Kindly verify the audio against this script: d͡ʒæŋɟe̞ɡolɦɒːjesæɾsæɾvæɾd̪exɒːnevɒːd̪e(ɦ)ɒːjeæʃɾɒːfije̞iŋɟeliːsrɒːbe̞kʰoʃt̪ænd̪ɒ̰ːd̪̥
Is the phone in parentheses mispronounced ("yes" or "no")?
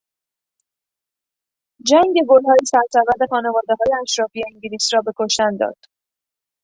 no